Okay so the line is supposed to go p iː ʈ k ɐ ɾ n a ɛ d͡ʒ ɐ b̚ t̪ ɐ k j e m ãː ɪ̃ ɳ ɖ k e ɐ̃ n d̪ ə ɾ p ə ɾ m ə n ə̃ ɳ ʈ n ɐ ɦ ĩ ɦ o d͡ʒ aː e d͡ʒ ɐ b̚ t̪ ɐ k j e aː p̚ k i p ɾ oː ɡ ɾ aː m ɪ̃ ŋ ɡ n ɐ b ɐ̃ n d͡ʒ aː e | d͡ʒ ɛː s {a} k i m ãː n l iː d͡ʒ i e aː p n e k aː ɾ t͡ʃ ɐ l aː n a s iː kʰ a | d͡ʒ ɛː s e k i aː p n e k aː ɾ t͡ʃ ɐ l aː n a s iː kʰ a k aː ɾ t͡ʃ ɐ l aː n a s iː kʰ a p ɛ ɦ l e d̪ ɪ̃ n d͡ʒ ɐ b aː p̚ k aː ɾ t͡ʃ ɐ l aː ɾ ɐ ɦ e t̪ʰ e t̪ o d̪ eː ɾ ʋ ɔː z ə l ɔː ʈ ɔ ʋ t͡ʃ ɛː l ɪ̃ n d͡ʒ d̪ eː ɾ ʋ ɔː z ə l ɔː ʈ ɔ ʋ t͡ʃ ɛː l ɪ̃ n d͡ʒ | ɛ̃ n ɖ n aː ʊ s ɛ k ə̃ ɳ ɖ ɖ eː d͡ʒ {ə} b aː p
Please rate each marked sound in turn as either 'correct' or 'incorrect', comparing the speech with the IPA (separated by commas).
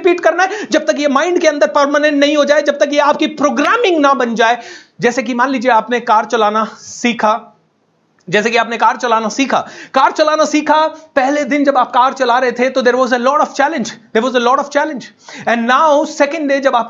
incorrect, incorrect